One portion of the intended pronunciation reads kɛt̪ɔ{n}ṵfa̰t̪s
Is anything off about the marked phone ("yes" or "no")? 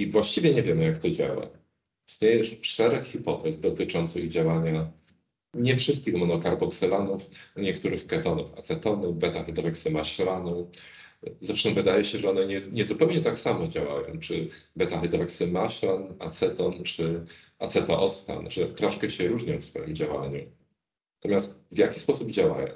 no